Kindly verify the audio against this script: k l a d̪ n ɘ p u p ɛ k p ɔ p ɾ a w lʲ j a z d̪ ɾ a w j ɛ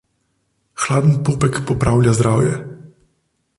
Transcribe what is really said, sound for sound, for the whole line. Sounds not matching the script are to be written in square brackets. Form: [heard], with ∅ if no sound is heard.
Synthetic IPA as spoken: [x] l a d̪ n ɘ p u p ɛ k p ɔ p ɾ a w lʲ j a z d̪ ɾ a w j ɛ